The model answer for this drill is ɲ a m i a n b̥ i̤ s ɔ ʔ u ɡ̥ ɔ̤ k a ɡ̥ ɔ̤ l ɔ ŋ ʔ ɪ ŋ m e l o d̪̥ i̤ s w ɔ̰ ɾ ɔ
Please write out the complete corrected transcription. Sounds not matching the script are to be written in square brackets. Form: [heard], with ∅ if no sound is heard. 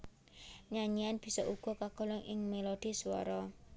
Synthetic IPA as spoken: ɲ a [ɲ] i a n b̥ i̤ s ɔ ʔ u ɡ̥ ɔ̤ k a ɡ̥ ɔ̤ l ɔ ŋ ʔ ɪ ŋ m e l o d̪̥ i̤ s w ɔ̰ ɾ ɔ